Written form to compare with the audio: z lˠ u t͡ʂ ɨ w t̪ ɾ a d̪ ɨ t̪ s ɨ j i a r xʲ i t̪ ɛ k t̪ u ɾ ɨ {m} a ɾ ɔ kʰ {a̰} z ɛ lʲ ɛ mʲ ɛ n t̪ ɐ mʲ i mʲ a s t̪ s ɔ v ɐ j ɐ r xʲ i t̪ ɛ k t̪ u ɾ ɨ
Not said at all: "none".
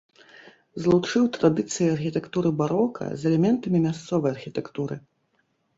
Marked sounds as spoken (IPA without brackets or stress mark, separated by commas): b, ɐ̰